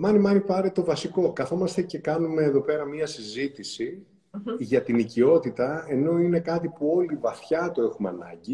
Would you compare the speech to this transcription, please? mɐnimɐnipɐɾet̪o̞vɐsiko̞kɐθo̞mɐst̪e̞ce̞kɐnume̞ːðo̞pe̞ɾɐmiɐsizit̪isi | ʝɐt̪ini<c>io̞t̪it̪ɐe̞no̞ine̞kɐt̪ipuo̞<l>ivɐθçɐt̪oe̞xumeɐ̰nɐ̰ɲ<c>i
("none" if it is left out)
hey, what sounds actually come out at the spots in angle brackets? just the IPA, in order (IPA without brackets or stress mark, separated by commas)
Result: c, l, ɟ